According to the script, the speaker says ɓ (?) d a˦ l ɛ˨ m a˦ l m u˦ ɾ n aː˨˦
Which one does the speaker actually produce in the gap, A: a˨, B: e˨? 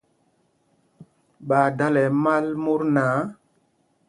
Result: A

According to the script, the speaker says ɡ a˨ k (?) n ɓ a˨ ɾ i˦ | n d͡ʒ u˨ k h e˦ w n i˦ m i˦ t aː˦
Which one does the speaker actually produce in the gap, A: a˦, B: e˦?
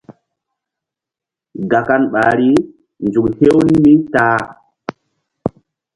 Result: A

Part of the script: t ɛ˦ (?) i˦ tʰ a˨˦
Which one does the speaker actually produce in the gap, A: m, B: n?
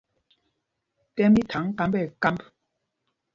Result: A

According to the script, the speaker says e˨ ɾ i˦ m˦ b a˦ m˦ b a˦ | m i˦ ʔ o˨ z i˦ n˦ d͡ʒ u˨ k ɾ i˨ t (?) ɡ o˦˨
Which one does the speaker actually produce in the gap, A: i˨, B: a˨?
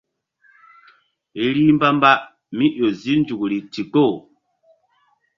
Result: A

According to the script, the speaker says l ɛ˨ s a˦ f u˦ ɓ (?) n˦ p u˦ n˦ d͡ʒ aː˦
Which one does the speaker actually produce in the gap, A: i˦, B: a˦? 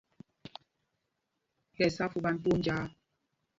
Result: B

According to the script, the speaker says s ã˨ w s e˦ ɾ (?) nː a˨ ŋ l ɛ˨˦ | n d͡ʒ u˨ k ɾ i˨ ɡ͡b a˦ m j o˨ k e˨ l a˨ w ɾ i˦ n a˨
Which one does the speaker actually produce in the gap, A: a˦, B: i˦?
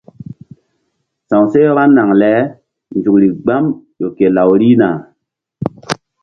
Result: A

